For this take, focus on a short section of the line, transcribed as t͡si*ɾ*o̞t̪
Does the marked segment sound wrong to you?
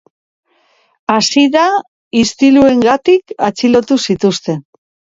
yes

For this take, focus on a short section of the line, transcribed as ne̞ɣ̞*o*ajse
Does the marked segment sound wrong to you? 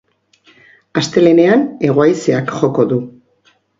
no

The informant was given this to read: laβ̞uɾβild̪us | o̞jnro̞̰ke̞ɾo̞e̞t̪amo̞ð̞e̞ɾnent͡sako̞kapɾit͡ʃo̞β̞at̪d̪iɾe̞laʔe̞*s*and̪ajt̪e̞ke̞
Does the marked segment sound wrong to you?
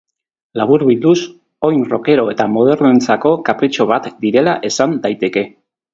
no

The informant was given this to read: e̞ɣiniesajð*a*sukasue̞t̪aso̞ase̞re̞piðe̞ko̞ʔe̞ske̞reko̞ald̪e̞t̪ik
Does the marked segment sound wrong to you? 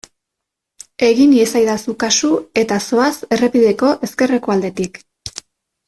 no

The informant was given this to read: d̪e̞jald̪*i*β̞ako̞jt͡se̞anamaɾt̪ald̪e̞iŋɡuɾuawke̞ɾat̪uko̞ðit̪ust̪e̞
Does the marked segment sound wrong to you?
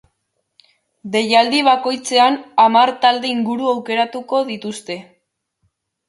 no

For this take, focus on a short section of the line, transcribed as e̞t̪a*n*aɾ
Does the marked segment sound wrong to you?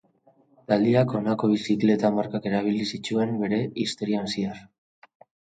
yes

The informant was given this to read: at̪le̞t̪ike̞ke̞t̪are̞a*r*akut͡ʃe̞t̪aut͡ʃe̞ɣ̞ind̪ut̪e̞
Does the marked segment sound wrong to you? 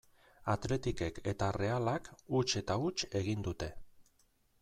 yes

